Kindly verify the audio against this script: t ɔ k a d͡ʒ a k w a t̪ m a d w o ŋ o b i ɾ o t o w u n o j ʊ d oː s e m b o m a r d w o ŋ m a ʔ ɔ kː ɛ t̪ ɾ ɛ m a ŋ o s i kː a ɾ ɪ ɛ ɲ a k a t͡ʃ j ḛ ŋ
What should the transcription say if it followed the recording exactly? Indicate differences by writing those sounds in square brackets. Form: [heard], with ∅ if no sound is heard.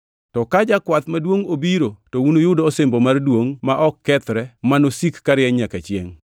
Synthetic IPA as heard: t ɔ k a d͡ʒ a k w a t̪ m a d w o ŋ o b i ɾ o t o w u n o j ʊ d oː s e m b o m a r d w o ŋ m a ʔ ɔ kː ɛ t̪ ɾ ɛ m a [n] o s i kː a ɾ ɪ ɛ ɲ a k a t͡ʃ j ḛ ŋ